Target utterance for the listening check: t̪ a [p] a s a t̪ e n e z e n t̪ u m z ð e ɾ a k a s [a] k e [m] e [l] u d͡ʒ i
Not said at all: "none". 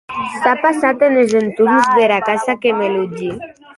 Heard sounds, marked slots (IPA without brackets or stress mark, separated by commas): p, a, m, l